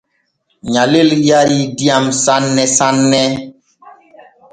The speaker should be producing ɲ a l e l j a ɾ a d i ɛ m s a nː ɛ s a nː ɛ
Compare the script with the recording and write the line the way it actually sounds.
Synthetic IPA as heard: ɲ a l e l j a ɾ i d i a m s a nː ɛ s a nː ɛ